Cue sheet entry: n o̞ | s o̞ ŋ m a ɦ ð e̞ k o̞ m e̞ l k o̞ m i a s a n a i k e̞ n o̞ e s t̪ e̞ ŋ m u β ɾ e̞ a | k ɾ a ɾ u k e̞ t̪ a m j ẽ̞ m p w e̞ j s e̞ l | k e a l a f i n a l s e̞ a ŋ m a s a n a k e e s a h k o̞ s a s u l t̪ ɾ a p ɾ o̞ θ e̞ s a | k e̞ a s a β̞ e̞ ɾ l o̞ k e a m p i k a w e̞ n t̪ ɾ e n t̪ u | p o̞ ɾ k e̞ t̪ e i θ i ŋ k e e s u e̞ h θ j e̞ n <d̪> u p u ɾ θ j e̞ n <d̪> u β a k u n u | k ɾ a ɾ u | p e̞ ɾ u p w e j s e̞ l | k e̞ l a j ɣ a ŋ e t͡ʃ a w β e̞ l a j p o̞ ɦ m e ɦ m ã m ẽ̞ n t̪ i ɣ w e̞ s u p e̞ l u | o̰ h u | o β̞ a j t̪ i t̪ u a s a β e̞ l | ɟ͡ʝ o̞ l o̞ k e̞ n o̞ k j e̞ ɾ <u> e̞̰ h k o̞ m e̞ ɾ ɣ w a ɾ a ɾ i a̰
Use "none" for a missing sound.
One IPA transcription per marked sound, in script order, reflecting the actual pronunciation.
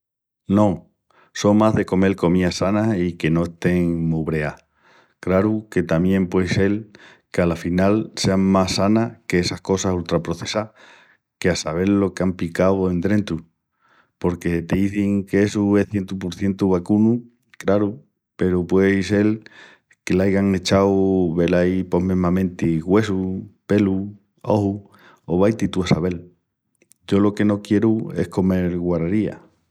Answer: t̪, t̪, u

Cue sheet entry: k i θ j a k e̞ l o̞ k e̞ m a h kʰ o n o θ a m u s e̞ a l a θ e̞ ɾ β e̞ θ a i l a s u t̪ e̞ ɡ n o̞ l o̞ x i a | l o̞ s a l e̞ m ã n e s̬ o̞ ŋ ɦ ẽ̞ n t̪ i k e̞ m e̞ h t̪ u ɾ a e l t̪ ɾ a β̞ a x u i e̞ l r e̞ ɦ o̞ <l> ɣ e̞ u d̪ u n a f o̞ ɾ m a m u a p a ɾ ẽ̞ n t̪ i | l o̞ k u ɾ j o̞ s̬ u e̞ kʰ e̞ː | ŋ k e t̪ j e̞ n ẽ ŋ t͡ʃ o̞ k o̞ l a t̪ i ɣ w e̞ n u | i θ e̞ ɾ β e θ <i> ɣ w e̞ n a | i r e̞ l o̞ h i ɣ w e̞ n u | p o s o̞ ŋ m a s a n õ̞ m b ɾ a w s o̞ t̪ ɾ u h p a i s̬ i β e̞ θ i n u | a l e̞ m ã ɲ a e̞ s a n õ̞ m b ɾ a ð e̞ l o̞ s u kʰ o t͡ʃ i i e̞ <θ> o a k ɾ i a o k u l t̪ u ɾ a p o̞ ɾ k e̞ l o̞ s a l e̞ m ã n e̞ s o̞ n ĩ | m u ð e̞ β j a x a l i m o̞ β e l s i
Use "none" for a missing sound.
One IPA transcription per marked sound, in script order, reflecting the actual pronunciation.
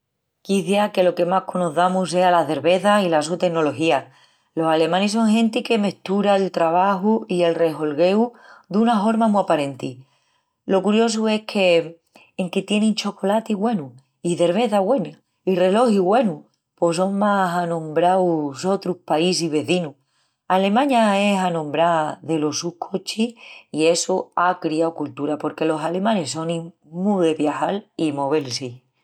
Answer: l, a, s

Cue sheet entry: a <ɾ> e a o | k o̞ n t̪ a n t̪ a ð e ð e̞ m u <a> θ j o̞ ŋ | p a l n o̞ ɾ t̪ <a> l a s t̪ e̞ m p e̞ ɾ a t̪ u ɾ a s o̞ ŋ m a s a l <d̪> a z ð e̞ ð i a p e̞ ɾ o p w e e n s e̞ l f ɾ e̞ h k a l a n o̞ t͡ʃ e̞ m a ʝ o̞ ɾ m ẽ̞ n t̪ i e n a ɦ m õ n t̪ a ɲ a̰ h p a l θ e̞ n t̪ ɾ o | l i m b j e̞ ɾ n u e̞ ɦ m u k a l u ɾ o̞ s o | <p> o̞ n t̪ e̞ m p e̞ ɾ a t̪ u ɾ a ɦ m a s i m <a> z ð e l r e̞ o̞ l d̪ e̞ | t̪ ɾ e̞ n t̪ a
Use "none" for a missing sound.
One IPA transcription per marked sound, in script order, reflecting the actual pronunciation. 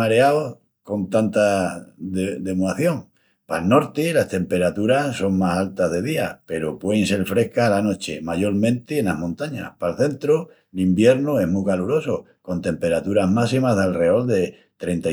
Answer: ɾ, a, i, t̪, k, a

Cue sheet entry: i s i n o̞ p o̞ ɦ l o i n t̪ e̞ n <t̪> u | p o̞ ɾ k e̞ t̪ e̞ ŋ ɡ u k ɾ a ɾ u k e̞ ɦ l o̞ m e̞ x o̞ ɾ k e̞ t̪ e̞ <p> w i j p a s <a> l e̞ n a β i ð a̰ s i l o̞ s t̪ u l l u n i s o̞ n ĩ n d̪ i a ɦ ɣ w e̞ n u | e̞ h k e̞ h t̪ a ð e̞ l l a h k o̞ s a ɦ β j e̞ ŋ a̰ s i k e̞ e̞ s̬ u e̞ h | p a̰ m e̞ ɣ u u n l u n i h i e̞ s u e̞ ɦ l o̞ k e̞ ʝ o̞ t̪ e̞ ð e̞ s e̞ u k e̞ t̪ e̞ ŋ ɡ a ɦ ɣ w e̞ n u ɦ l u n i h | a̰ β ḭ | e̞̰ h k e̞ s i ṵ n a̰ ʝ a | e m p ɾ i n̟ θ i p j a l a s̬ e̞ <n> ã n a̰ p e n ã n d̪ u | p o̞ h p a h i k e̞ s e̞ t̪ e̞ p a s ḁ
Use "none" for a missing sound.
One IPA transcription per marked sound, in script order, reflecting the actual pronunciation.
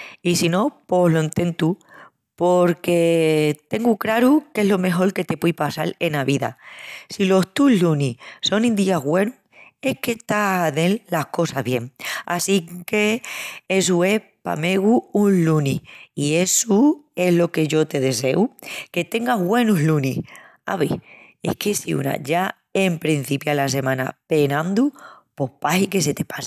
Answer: t̪, p, a, m

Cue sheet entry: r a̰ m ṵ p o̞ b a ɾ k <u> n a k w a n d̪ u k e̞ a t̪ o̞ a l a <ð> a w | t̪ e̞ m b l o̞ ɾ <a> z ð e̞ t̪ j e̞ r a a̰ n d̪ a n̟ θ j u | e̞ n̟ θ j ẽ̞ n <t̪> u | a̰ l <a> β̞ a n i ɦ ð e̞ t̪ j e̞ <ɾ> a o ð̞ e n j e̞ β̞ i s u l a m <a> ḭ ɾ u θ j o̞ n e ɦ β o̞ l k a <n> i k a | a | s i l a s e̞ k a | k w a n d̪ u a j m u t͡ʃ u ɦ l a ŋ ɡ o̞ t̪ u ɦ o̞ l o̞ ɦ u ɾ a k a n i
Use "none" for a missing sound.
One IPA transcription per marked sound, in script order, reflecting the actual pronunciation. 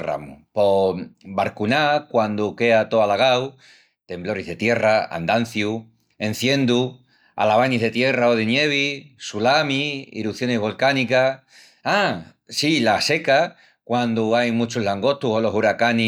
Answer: u, ɣ, i, d̪, a, r, i, n

